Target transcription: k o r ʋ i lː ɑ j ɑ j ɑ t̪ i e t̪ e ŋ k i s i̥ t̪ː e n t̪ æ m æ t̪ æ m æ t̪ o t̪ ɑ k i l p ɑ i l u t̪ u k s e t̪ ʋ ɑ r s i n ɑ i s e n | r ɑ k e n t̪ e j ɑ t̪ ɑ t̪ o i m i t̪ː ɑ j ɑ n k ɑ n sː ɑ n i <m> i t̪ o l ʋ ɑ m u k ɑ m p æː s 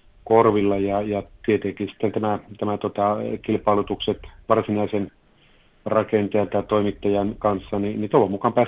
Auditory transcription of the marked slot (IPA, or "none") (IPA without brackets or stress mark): n